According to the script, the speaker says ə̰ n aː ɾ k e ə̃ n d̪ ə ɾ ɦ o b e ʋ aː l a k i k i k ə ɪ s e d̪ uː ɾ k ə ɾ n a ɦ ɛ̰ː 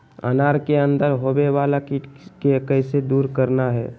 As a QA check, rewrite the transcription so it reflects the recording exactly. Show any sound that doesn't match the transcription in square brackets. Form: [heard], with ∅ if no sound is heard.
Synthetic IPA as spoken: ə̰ n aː ɾ k e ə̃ n d̪ ə ɾ ɦ o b e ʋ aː l a k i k [e] k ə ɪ s e d̪ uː ɾ k ə ɾ n a ɦ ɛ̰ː